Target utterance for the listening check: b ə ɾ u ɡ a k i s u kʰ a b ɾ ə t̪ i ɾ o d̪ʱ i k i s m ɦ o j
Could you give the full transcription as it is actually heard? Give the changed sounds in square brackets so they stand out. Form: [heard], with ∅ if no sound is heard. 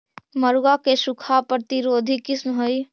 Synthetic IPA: [m] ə ɾ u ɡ a k [e] s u kʰ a [p] ɾ ə t̪ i ɾ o d̪ʱ i k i s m ɦ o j